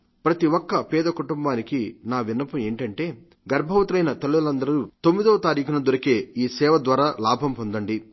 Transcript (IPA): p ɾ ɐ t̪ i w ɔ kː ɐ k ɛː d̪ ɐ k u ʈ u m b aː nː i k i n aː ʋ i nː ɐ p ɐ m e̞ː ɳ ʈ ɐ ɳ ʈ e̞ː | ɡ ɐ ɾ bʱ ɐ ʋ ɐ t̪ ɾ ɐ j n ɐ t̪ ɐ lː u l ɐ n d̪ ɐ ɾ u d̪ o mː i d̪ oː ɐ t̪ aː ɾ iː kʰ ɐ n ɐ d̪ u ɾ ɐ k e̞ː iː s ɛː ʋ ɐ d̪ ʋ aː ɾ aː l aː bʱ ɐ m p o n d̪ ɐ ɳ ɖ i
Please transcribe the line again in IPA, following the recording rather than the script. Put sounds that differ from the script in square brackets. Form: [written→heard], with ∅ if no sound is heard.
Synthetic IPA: p ɾ ɐ t̪ i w ɔ kː ɐ [k→p] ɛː d̪ ɐ k u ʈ u m b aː [nː→n] i k i n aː ʋ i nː ɐ p ɐ m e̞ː ɳ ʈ ɐ ɳ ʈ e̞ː | ɡ ɐ ɾ bʱ ɐ ʋ ɐ t̪ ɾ ɐ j n ɐ t̪ ɐ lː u l ɐ n d̪ ɐ ɾ u [d̪→t̪] o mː i d̪ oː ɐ t̪ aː ɾ iː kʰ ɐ n ɐ d̪ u ɾ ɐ k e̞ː iː s ɛː ʋ ɐ d̪ ʋ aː ɾ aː l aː bʱ ɐ m p o n d̪ ɐ ɳ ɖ i

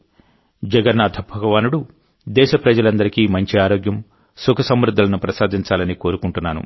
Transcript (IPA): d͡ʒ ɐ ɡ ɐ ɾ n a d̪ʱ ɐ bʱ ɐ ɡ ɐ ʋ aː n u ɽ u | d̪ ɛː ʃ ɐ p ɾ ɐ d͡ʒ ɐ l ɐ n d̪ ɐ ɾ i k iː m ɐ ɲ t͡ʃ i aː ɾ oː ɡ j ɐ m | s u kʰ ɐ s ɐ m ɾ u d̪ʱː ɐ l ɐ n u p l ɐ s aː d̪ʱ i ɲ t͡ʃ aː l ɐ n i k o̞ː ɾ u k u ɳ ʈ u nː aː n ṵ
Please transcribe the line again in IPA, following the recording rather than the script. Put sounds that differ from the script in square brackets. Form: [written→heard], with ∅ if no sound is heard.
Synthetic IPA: d͡ʒ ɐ ɡ ɐ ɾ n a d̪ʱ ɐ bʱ ɐ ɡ ɐ ʋ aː n u ɽ u | d̪ ɛː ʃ ɐ p ɾ ɐ d͡ʒ ɐ l ɐ n d̪ ɐ ɾ i k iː m ɐ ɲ t͡ʃ i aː ɾ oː ɡ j ɐ m | s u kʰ ɐ s ɐ m ɾ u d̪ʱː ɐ l ɐ n u p [l→ɾ] ɐ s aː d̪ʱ i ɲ t͡ʃ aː l ɐ n i k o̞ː ɾ u k u ɳ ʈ u nː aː n ṵ

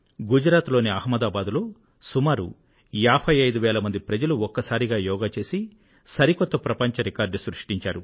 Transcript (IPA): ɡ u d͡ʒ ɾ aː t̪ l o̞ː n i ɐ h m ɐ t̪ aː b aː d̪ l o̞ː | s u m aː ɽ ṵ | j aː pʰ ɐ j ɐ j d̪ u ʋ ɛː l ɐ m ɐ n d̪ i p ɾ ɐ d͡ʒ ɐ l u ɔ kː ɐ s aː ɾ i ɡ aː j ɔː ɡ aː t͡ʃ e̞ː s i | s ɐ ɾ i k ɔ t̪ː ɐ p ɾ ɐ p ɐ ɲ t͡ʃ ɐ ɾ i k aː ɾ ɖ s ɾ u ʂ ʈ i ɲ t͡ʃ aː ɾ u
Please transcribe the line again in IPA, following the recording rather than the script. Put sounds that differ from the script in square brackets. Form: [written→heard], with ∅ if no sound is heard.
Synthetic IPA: ɡ u d͡ʒ ɾ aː t̪ l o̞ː n i ɐ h m ɐ [t̪→d̪] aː b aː d̪ l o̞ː | s u m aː [ɽ→ɾ] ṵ | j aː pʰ ɐ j ɐ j d̪ u ʋ ɛː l ɐ m ɐ n d̪ i p ɾ ɐ d͡ʒ ɐ l u ɔ kː ɐ s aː ɾ i ɡ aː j ɔː ɡ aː t͡ʃ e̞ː s i | s ɐ ɾ i k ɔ t̪ː ɐ p ɾ ɐ p ɐ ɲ t͡ʃ ɐ ɾ i k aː ɾ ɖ s ɾ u ʂ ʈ i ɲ t͡ʃ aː ɾ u

